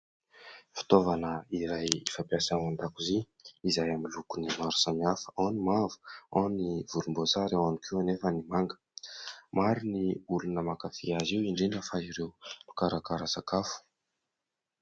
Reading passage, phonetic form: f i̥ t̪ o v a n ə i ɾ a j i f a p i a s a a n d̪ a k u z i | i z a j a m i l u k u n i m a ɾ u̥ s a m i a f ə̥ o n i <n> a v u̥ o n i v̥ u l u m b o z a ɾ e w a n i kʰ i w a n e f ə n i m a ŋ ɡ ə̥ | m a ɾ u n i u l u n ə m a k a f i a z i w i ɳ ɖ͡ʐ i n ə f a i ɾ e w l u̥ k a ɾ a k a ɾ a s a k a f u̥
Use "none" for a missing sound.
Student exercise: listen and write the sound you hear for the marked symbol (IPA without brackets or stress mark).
m